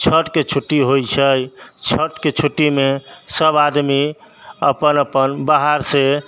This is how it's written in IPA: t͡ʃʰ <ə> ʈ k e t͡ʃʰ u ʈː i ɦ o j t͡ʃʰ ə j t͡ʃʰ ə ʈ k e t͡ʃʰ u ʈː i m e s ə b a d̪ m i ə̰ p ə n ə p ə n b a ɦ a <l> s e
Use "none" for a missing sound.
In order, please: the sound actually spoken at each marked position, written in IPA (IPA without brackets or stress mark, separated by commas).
ə, ɾ